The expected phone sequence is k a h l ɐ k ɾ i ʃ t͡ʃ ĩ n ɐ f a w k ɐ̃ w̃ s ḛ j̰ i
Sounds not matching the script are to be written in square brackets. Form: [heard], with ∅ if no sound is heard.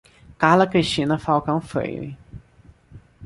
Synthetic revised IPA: k a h l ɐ k ɾ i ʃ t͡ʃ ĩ n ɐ f a w k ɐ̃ w̃ [f] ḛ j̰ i